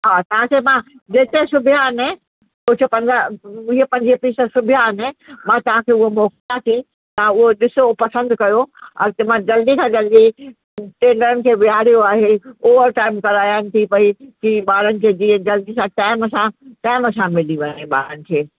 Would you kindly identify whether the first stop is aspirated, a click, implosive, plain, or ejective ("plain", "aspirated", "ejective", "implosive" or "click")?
plain